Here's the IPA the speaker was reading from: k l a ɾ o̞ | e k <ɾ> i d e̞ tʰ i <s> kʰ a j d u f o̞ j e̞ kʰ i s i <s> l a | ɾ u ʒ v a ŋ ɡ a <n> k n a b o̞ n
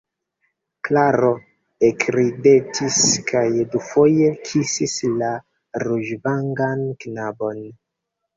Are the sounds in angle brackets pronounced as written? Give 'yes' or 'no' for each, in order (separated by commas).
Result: yes, yes, yes, yes